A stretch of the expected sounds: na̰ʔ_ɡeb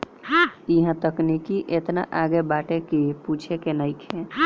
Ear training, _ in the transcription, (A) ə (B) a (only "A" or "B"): B